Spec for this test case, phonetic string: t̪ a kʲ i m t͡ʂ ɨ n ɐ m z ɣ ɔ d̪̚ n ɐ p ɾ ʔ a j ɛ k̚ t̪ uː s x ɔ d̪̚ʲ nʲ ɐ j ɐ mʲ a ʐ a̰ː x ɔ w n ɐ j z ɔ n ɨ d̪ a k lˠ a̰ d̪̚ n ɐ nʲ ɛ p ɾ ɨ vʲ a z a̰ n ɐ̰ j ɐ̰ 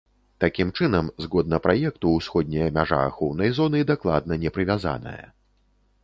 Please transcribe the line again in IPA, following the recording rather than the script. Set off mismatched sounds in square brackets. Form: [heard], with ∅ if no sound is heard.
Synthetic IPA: t̪ a kʲ i m t͡ʂ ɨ n ɐ m z ɣ ɔ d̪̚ n ɐ p ɾ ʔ a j ɛ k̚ t̪ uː s x ɔ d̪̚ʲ nʲ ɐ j ɐ mʲ a ʐ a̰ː x ɔ w n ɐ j z ɔ n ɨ d̪ a k lˠ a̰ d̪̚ n ɐ nʲ ɛ p ɾ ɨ vʲ a z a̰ n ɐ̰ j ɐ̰